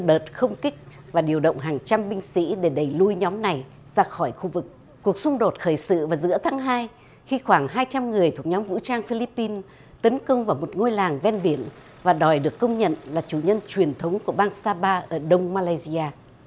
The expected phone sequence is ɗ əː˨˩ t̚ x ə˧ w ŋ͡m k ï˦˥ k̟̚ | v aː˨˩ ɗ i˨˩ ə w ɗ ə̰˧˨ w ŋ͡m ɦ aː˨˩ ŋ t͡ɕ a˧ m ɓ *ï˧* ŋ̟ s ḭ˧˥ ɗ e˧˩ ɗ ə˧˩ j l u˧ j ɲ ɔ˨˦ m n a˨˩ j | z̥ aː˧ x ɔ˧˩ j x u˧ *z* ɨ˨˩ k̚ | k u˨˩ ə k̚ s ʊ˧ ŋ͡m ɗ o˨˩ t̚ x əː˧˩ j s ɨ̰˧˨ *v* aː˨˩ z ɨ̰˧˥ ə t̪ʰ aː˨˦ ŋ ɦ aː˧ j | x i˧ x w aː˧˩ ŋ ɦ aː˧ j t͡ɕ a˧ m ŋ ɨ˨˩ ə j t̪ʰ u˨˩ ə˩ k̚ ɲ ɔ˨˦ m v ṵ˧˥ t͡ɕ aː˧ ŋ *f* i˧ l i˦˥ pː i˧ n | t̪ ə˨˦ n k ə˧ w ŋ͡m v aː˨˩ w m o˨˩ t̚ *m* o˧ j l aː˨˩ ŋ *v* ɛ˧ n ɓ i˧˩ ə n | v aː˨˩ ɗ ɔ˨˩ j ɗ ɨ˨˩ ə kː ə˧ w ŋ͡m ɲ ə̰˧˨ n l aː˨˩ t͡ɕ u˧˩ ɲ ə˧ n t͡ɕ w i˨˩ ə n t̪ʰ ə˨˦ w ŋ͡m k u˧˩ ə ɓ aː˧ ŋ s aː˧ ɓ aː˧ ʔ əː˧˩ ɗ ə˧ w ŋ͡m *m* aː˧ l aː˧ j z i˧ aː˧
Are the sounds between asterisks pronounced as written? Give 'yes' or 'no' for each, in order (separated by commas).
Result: yes, no, yes, yes, no, yes, yes